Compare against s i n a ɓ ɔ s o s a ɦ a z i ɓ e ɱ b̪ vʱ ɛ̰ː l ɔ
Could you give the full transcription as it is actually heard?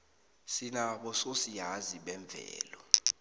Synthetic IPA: s i n a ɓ ɔ s o s i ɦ a z i ɓ ɛ ɱ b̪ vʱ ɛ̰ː l ɔ